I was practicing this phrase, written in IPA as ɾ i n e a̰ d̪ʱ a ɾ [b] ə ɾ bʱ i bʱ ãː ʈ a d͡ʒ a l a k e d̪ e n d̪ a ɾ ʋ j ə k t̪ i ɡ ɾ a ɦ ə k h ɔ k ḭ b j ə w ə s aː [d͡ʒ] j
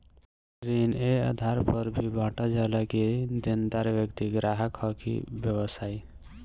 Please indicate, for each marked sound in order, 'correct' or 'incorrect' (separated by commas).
incorrect, incorrect